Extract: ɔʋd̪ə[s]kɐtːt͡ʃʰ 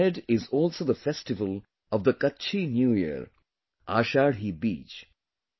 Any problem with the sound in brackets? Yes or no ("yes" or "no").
yes